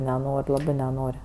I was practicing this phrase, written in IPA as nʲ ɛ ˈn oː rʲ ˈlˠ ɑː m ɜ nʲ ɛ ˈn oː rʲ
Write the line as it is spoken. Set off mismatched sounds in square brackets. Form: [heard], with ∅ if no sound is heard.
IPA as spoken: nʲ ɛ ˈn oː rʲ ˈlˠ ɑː [b] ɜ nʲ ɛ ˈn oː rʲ